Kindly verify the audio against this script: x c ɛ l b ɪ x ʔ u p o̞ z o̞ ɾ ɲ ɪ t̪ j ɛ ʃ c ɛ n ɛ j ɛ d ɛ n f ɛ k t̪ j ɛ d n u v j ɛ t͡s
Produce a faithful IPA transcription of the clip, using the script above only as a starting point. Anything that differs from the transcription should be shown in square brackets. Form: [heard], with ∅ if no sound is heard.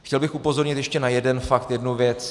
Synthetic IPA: x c ɛ l b ɪ x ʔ u p o̞ z o̞ ɾ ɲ ɪ t̪ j ɛ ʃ c ɛ n [a] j ɛ d ɛ n f [a] k t̪ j ɛ d n u v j ɛ t͡s